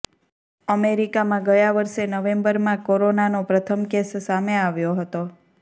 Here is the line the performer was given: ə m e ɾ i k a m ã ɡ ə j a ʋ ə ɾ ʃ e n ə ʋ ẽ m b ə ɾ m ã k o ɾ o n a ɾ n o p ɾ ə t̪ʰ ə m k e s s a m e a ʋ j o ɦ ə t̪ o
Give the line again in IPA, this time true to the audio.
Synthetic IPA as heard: ə m e ɾ i k a m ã ɡ ə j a ʋ ə ɾ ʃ e n ə ʋ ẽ m b ə ɾ m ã k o ɾ o n a n o p ɾ ə t̪ʰ ə m k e s s a m e a ʋ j o ɦ ə t̪ o